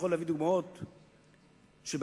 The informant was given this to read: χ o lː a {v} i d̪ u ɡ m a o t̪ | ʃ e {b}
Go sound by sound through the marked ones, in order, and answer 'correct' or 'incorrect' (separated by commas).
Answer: correct, correct